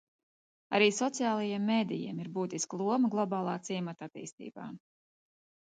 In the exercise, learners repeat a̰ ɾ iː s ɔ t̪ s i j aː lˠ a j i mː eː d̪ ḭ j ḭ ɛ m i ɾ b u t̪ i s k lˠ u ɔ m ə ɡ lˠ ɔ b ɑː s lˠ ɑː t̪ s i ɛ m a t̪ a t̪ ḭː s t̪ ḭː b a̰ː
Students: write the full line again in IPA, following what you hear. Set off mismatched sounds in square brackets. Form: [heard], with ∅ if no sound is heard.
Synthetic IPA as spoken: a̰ ɾ iː s ɔ t̪ s i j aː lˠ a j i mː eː d̪ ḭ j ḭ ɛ m i ɾ b [uː] t̪ i s k lˠ u ɔ m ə ɡ lˠ ɔ b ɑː [∅] lˠ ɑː t̪ s i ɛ m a t̪ a t̪ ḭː s t̪ ḭː b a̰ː